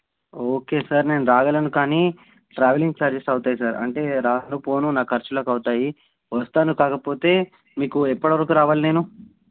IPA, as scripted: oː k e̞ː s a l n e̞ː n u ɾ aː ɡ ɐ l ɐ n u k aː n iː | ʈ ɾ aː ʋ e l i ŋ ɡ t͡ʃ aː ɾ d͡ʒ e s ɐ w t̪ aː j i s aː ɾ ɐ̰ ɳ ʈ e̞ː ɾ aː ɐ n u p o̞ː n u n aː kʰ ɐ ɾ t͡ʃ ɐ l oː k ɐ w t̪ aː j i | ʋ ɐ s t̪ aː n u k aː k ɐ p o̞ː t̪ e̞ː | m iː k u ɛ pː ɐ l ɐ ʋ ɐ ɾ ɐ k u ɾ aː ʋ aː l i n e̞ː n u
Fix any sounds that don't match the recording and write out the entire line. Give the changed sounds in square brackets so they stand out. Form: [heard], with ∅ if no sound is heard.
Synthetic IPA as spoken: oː k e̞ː s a [ɾ] n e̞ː n u ɾ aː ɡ ɐ l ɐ n u k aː n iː | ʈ ɾ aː ʋ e l i ŋ ɡ t͡ʃ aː ɾ d͡ʒ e s ɐ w t̪ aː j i s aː ɾ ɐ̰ ɳ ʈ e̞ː ɾ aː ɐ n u p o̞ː n u n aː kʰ ɐ ɾ t͡ʃ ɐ l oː k ɐ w t̪ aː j i | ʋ ɐ s t̪ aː n u k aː k ɐ p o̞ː t̪ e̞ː | m iː k u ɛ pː ɐ [ɽ] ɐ ʋ ɐ ɾ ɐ k u ɾ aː ʋ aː l i n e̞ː n u